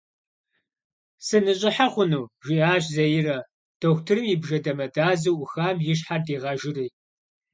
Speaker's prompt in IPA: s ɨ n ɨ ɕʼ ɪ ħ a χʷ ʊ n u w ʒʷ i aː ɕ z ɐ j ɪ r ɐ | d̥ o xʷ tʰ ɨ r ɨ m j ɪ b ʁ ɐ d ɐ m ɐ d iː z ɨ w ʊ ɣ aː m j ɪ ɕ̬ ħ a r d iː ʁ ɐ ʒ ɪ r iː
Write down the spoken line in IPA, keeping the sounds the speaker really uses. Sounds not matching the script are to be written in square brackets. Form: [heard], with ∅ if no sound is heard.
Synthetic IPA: s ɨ n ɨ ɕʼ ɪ ħ a χʷ ʊ n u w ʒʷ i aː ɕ z ɐ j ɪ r ɐ | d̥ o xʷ tʰ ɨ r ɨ m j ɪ b [ʒ] ɐ d ɐ m ɐ d [aː] z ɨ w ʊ [x] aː m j ɪ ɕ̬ ħ a r d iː ʁ ɐ ʒ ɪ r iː